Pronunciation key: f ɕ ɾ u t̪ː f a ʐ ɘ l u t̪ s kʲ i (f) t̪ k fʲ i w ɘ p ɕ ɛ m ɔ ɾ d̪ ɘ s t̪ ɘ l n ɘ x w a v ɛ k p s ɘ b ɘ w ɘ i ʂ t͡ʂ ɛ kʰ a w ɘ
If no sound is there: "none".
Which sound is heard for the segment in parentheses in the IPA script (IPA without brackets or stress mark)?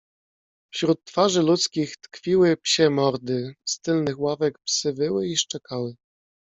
x